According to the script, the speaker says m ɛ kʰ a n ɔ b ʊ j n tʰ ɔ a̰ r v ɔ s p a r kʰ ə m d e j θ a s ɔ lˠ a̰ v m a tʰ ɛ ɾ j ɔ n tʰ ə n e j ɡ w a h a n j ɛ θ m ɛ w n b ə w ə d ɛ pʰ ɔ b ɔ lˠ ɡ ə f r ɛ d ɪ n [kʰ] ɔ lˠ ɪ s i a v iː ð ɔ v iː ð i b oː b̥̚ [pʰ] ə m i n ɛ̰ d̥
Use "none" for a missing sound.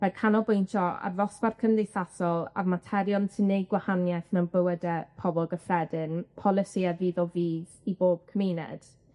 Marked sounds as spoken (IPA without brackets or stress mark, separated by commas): pʰ, kʰ